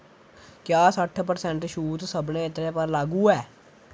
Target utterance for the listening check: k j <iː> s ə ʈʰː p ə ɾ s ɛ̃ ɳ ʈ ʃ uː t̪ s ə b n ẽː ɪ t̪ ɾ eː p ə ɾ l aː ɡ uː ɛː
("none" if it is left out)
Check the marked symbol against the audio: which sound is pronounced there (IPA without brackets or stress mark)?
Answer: aː